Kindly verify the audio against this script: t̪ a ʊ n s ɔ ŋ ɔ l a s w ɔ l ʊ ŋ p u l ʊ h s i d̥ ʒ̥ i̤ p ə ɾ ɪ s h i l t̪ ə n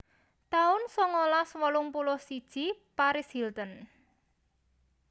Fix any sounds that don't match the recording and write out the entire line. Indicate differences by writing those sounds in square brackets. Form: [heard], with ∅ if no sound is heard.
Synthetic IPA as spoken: t̪ a ʊ n s ɔ ŋ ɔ l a s w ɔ l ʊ ŋ p u l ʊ h s i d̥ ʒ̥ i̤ p [a] ɾ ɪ s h i l t̪ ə n